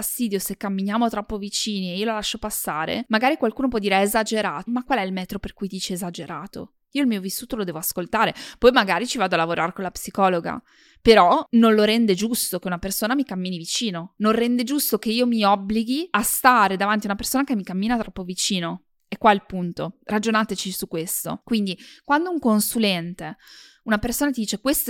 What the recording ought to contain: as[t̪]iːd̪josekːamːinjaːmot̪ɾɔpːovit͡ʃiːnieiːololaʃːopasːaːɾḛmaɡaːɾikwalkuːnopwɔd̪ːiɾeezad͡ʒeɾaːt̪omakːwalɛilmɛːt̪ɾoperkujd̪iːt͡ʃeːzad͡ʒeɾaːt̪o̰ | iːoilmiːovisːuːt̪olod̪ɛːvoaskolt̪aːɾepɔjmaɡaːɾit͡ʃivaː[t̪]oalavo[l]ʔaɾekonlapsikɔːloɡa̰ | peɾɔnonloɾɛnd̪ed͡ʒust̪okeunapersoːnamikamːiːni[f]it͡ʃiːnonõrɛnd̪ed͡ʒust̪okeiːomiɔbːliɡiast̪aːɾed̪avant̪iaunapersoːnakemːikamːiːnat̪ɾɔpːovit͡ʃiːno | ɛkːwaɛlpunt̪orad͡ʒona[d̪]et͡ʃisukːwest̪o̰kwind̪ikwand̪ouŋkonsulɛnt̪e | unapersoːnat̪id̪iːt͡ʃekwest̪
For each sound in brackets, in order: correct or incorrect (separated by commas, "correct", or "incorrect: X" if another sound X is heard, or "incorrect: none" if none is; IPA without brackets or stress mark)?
correct, incorrect: d̪, incorrect: ɾ, incorrect: v, incorrect: t̪